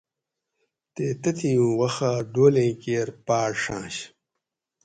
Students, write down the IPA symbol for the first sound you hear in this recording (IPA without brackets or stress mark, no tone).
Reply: t̪